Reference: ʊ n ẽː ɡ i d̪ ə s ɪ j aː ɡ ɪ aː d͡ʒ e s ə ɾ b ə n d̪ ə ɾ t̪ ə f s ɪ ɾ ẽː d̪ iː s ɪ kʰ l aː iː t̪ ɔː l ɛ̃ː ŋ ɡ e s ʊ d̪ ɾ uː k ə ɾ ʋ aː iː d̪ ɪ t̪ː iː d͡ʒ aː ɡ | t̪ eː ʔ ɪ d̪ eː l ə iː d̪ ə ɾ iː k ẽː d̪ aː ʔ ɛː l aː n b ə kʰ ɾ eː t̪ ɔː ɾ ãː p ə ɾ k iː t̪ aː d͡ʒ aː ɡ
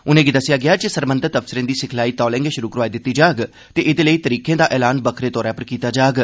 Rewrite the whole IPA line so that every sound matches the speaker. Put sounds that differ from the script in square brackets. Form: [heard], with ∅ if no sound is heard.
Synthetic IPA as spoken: ʊ n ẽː ɡ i d̪ ə s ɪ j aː ɡ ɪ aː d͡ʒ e s ə ɾ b ə n d̪ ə ɾ t̪ ə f s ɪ ɾ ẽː d̪ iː s ɪ kʰ l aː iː t̪ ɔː l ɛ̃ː ŋ ɡ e [ʃ] ʊ [∅] ɾ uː k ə ɾ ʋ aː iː d̪ ɪ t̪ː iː d͡ʒ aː ɡ | t̪ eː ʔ ɪ d̪ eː l ə iː [t̪] ə ɾ iː k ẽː d̪ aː ʔ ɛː l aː n b ə kʰ ɾ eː t̪ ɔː ɾ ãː p ə ɾ k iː t̪ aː d͡ʒ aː ɡ